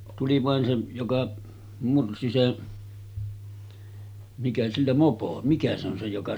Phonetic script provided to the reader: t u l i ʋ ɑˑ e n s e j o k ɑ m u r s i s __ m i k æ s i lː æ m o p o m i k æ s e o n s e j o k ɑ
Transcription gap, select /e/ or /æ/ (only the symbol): e